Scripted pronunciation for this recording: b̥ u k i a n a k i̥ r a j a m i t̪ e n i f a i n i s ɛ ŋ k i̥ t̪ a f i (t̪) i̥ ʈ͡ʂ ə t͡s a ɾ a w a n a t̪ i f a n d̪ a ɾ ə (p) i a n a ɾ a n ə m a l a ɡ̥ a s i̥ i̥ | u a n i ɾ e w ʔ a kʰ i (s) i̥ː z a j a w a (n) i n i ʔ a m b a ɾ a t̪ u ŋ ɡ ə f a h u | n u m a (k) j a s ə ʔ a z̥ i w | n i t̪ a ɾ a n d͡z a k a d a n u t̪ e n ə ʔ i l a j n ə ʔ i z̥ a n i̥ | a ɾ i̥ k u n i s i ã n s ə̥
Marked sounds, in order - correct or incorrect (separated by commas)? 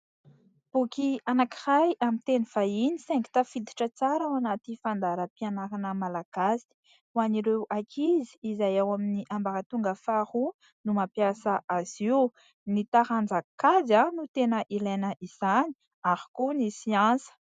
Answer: incorrect, correct, incorrect, incorrect, incorrect